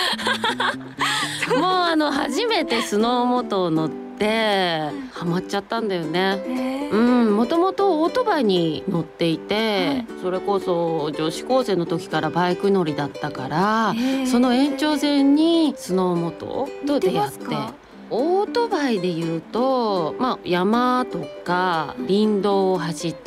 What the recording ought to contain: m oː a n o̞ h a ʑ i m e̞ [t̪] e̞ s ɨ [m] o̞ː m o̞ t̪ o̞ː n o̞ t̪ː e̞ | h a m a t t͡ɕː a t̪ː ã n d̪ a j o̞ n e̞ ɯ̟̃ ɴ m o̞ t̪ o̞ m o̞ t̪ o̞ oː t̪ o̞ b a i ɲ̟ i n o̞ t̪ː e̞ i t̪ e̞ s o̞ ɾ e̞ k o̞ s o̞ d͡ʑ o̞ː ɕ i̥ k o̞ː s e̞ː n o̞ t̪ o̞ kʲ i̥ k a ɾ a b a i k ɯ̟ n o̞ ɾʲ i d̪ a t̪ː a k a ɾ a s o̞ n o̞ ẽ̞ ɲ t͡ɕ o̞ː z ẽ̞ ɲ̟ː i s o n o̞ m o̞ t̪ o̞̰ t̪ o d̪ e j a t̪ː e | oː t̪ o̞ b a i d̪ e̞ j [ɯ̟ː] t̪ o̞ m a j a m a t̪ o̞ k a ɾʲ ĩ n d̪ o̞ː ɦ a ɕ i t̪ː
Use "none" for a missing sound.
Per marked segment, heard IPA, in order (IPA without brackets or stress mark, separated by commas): t̪, n, ɯ̟ː